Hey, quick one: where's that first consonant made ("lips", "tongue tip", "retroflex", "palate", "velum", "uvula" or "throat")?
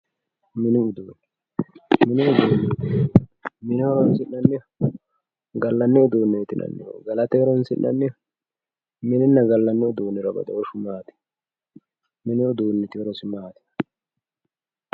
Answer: lips